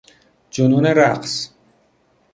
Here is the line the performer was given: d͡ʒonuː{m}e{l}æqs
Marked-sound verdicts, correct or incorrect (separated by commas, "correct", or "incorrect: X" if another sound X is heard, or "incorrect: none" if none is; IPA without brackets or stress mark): incorrect: n, incorrect: ɾ